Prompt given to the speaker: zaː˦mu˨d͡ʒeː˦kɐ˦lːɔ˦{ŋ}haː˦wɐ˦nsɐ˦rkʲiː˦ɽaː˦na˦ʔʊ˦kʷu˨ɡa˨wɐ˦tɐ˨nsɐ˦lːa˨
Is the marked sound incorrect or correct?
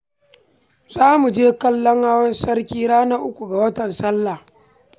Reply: correct